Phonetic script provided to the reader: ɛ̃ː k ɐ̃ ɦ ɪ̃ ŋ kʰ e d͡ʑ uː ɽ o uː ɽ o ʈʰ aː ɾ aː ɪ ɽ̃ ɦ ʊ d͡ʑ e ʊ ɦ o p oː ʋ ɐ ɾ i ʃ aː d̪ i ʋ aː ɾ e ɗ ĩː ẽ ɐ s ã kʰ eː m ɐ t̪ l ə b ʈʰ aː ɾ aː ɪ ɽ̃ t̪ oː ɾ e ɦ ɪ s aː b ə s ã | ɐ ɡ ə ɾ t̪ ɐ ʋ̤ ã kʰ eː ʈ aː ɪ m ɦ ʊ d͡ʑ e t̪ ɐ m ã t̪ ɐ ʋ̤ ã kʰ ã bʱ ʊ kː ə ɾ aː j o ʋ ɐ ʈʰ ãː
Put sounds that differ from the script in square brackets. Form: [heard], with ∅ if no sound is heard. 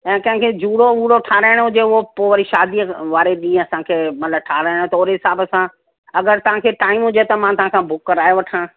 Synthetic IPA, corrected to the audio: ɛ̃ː k ɐ̃ ɦ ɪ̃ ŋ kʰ e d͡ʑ uː ɽ o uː ɽ o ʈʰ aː ɾ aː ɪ ɽ̃ ɦ ʊ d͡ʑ e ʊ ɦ o p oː ʋ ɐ ɾ i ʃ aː d̪ i ʋ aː ɾ e ɗ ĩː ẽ ɐ s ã kʰ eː m ɐ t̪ l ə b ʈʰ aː ɾ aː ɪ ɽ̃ t̪ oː ɾ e ɦ ɪ s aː b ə s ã | ɐ ɡ ə ɾ t̪ ɐ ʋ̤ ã kʰ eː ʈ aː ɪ m ɦ ʊ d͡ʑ e t̪ ɐ m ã t̪ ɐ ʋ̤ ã kʰ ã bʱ ʊ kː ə ɾ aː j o ʋ ɐ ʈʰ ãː